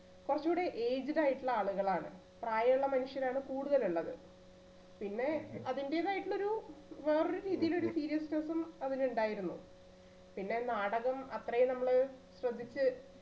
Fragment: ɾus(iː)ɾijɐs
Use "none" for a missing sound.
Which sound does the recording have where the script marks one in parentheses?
iː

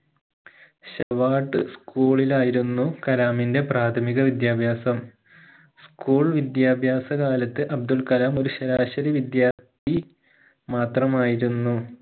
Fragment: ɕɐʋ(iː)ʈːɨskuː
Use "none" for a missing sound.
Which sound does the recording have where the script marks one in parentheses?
aː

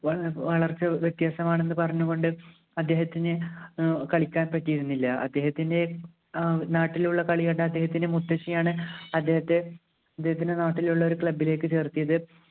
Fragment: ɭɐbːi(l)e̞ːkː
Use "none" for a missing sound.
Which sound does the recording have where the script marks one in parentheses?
l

